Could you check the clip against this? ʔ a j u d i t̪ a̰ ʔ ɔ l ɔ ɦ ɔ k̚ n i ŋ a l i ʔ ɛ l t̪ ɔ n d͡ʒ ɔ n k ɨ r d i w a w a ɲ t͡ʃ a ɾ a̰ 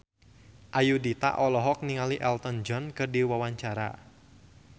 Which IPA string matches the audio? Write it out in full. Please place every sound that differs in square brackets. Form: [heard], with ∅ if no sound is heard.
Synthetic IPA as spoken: ʔ a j u d i t̪ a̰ ʔ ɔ l ɔ ɦ ɔ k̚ n i ŋ a l i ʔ ɛ l t̪ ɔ n d͡ʒ ɔ n k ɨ r d i w a w a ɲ t͡ʃ a ɾ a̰